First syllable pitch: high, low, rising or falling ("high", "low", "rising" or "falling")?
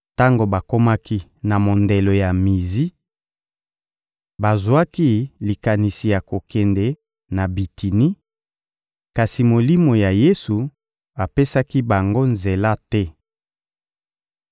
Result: high